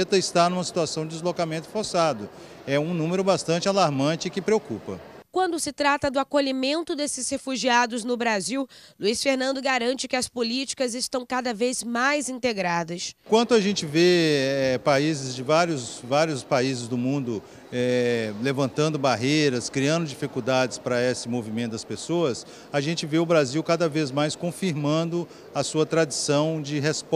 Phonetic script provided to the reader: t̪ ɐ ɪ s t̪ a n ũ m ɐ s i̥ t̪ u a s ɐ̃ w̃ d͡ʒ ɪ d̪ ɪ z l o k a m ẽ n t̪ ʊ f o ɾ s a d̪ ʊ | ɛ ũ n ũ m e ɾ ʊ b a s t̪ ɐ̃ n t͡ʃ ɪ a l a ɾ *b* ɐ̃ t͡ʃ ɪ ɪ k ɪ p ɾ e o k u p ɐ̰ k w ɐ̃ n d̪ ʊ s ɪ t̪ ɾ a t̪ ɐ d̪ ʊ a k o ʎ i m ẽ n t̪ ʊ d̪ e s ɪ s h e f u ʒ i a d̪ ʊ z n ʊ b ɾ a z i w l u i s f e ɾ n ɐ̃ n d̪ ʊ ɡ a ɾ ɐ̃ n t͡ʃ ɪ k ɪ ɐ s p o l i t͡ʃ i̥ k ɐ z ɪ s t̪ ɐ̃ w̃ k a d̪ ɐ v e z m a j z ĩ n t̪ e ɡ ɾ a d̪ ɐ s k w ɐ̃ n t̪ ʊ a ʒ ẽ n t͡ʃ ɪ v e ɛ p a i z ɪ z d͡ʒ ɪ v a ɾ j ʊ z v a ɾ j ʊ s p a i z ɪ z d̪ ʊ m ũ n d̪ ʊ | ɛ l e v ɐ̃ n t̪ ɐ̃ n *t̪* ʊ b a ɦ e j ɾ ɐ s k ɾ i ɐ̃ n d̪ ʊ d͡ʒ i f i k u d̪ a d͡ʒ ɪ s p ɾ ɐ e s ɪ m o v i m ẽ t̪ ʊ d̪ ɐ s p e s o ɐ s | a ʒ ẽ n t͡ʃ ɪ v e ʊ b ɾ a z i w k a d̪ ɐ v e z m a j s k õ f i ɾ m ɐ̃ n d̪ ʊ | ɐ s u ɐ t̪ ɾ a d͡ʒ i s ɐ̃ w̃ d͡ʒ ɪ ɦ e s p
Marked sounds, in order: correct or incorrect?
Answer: incorrect, incorrect

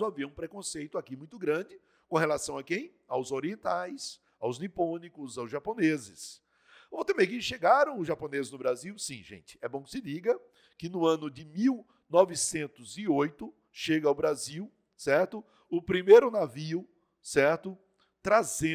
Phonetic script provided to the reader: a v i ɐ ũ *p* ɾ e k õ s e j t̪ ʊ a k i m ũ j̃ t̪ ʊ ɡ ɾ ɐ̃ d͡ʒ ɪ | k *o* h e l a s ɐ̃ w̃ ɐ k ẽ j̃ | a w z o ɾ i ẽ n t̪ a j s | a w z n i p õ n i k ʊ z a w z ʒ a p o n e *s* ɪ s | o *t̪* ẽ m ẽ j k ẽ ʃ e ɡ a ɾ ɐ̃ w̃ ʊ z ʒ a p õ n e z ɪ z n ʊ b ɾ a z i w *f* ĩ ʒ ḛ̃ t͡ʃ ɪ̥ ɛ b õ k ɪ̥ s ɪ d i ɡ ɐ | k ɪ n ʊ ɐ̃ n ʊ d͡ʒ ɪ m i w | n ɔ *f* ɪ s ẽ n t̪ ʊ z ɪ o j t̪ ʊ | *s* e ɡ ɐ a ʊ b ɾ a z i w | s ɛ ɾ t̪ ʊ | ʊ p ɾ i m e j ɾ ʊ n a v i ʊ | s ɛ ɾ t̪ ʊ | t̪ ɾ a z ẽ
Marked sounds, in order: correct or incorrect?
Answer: correct, incorrect, incorrect, correct, incorrect, incorrect, incorrect

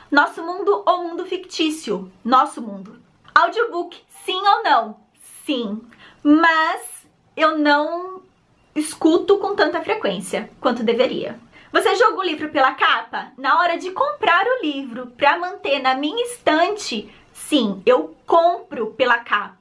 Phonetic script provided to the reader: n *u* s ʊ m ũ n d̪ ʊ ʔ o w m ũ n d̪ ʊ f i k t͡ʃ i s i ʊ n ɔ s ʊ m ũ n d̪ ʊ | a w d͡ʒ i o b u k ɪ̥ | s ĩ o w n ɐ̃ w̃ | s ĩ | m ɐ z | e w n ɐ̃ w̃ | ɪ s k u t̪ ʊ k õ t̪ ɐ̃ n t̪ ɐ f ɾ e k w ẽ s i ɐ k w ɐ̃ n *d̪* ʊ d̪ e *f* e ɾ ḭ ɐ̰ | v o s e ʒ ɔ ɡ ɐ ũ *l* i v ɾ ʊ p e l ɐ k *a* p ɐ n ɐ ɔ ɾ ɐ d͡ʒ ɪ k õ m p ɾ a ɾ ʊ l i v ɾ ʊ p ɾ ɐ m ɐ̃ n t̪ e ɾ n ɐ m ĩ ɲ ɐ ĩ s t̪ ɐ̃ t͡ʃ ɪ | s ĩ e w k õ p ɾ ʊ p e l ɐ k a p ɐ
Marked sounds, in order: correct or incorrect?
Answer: incorrect, incorrect, incorrect, correct, correct

